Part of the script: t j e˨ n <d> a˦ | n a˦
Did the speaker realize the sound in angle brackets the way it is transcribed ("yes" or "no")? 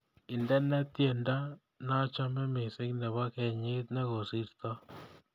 yes